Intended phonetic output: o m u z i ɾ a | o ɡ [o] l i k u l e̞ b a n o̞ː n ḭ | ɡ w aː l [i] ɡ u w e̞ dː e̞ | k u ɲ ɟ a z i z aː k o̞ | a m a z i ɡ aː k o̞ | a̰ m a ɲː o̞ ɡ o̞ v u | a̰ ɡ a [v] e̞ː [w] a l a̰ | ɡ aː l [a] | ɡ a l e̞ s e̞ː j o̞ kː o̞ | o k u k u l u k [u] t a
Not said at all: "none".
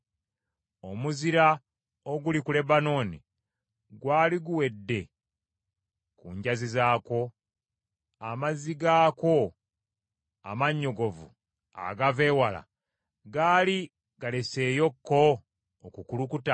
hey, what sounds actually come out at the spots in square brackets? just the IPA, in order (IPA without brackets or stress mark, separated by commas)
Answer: u, i, v, w, i, u